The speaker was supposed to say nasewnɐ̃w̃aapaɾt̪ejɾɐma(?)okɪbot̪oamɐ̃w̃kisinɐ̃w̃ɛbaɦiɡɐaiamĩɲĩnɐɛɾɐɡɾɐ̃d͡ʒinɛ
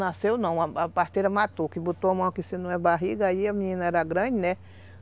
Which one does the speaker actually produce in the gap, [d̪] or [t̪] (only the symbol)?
t̪